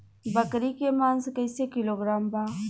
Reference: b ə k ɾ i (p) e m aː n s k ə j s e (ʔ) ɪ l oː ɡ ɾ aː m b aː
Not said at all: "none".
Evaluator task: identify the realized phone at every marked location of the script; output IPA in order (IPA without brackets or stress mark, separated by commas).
k, k